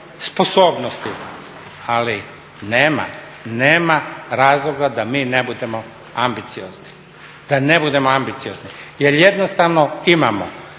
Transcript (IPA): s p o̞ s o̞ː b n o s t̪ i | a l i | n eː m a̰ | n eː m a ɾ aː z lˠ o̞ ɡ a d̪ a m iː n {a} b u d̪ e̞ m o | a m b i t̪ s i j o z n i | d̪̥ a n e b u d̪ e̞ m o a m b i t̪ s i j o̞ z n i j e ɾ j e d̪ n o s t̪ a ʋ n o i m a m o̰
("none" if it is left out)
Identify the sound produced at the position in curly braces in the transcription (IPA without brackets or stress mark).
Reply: e